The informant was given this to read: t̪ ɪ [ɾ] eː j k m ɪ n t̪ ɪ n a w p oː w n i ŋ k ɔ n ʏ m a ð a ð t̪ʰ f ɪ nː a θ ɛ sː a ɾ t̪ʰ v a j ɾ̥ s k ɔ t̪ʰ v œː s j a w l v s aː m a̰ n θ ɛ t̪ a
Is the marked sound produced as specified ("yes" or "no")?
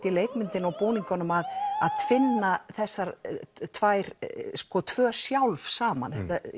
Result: no